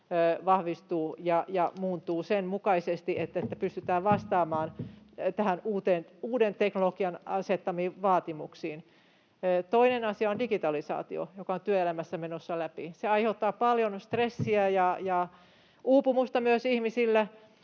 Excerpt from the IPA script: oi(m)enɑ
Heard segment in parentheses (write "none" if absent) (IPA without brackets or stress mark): n